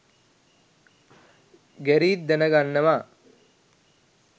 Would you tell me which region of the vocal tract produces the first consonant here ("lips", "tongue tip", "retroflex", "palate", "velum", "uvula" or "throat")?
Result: velum